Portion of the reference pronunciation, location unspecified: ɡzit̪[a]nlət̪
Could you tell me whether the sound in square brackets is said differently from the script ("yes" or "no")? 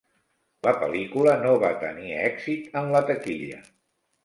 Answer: yes